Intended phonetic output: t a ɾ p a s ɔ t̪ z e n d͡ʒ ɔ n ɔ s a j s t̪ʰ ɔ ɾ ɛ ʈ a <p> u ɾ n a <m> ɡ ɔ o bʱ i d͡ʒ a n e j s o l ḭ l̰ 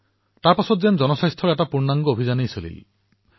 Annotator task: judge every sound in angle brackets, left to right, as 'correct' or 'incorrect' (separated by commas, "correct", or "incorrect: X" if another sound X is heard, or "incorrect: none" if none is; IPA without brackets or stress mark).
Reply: correct, incorrect: ŋ